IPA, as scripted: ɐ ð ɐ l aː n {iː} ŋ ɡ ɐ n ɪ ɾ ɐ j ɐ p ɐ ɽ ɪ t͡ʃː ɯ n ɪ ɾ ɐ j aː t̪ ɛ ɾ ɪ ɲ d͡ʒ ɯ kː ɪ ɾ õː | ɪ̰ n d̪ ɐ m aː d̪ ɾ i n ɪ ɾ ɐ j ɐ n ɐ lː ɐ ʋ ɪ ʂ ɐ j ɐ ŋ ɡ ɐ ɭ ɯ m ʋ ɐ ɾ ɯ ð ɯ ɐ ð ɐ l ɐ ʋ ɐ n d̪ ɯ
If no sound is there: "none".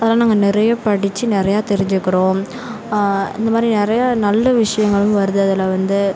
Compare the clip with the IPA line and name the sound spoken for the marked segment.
aː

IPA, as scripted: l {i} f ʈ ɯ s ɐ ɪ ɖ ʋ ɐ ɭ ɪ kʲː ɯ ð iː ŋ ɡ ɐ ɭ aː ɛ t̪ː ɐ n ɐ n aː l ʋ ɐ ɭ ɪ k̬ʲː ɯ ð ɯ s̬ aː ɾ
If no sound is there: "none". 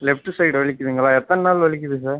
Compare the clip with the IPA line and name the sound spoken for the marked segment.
ɛ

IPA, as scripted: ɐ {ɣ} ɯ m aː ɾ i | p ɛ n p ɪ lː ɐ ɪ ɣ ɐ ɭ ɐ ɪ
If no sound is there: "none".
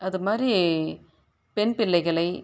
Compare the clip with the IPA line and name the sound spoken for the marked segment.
ð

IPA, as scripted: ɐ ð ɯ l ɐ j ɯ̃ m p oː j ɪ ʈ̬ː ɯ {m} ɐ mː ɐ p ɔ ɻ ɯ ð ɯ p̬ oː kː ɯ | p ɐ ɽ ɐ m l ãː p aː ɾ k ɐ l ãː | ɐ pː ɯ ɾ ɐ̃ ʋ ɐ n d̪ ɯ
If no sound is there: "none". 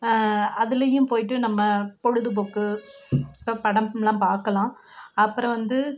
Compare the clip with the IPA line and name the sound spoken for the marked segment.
n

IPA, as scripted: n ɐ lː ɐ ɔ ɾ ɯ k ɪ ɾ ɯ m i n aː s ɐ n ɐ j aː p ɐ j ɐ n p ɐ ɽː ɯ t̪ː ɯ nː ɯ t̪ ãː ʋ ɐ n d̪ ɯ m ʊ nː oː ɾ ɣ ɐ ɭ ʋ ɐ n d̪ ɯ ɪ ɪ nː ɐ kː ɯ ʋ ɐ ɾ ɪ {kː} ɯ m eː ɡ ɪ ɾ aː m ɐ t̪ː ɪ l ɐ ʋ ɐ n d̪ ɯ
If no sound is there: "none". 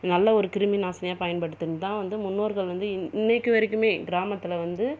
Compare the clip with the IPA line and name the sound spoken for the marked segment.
kː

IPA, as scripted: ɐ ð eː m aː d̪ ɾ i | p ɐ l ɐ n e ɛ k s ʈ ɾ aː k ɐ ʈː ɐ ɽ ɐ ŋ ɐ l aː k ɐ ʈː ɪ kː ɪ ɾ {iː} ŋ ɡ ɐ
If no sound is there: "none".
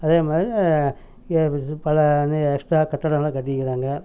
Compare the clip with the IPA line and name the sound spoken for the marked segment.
aː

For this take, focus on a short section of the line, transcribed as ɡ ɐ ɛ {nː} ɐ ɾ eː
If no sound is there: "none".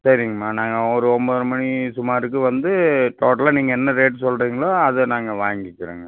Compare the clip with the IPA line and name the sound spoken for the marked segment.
nː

